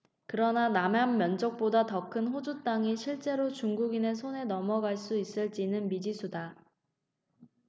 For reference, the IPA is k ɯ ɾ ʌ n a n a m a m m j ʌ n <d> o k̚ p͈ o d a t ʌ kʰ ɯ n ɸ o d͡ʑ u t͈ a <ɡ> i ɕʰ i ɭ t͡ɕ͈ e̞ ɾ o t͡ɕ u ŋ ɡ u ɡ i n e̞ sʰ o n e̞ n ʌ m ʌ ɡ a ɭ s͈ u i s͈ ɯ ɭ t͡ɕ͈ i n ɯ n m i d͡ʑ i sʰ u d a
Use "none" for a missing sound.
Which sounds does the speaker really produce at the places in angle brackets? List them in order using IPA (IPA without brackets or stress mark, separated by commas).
d͡ʑ, ŋ